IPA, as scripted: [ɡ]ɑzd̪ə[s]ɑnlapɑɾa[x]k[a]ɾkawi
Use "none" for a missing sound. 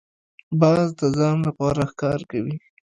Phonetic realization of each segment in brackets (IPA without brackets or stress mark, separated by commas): b, z, x, ɑ